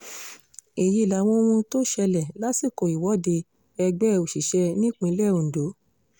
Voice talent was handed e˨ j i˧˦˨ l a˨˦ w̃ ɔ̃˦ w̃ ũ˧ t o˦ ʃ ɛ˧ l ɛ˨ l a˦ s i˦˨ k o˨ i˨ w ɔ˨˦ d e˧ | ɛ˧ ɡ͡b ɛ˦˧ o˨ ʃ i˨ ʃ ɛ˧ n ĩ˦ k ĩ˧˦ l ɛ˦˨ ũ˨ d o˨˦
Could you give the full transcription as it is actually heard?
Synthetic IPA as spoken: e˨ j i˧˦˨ l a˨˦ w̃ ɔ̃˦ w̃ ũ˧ t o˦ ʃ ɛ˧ l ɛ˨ l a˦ s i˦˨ k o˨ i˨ w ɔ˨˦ d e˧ | ɛ˧ ɡ͡b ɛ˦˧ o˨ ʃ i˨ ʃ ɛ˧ n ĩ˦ k͡p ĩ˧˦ l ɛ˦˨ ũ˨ d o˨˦